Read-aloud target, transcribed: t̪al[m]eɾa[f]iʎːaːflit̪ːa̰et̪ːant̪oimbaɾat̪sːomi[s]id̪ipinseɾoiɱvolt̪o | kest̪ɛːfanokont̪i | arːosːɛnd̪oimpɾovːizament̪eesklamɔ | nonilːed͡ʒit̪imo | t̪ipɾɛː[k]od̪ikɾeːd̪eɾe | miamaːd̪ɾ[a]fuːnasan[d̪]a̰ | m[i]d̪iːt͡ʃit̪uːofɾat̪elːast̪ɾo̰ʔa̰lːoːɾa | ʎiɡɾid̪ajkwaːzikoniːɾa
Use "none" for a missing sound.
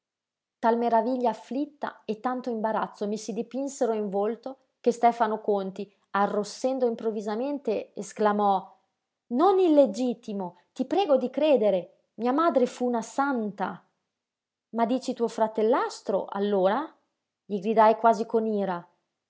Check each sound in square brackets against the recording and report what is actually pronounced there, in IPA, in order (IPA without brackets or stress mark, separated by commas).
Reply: m, v, s, ɡ, e, t̪, a